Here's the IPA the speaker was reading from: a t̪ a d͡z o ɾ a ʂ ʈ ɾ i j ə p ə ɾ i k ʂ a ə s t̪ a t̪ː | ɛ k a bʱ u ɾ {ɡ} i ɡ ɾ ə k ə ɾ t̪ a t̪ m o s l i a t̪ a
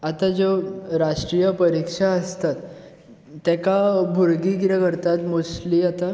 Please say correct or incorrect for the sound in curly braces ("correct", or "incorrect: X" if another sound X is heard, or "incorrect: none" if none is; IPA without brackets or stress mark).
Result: correct